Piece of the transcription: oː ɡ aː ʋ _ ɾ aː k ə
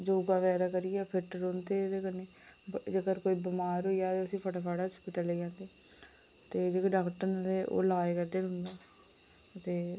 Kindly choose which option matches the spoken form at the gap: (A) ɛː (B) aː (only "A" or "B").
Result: A